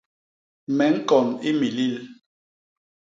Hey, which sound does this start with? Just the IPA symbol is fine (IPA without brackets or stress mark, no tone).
m